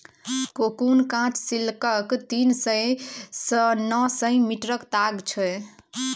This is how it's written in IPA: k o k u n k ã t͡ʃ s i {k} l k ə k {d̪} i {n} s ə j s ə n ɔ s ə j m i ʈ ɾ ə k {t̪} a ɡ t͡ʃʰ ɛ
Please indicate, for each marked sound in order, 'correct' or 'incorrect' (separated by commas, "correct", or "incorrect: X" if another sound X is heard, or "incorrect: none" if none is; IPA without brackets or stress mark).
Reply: incorrect: none, incorrect: t̪, correct, correct